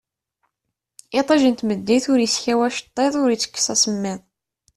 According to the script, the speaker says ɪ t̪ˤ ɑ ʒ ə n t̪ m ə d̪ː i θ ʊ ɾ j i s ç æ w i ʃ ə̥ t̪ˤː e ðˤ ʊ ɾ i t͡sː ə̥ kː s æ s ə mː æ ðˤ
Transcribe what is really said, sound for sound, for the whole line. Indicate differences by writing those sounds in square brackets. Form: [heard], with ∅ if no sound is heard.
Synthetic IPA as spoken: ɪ t̪ˤ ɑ ʒ ə n t̪ m ə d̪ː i θ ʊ ɾ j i s ç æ w [æ] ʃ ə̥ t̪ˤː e ðˤ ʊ ɾ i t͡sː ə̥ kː s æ s ə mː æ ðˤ